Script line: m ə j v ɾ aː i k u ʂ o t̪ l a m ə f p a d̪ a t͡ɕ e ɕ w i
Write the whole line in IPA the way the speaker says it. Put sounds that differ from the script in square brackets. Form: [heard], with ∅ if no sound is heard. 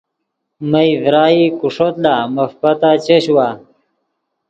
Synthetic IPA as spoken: m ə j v ɾ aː i k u ʂ o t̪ l a m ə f p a [t̪] a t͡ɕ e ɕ w [a]

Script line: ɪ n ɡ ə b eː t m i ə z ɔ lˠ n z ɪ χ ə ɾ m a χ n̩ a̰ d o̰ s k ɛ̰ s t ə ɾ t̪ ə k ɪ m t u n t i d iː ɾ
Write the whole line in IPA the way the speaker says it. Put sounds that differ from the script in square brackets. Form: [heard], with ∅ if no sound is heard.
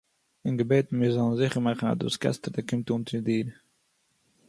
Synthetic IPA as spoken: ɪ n ɡ ə b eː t m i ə z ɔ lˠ n z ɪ χ ə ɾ m a χ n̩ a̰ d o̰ s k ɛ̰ s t ə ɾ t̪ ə k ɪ m t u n t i d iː ɾ

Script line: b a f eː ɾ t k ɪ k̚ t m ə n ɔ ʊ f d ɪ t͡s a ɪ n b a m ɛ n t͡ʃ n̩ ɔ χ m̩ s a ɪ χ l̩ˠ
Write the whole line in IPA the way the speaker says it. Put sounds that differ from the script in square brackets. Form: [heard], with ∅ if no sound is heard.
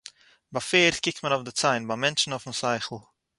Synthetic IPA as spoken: b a f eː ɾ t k ɪ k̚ t m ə n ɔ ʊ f d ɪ t͡s a ɪ n b a m ɛ n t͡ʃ n̩ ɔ [f] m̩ s a ɪ χ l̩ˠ

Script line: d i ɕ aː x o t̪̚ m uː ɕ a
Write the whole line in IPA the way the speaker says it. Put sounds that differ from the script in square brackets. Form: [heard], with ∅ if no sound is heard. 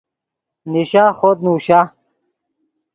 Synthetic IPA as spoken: [n] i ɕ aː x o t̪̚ [n] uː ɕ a

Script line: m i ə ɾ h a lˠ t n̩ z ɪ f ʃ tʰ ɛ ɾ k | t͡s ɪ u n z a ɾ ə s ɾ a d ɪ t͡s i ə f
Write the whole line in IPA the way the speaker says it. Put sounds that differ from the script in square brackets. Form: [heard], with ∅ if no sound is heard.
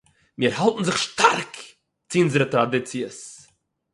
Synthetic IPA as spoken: m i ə ɾ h a lˠ t n̩ z ɪ [χ] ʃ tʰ [a] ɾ k | t͡s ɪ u n z [ə] ɾ ə [t] ɾ a d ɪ t͡s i ə [s]

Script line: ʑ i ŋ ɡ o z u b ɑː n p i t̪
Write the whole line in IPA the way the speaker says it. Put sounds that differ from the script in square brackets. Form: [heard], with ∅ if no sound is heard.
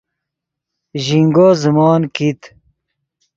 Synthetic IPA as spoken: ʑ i ŋ ɡ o z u [m] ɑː n [k] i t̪

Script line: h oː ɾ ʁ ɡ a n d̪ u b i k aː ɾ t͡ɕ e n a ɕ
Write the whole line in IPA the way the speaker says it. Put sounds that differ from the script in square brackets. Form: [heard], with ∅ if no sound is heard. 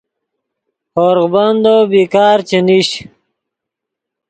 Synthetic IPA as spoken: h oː ɾ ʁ [b] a n d̪ [o] b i k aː ɾ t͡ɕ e n [i] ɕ

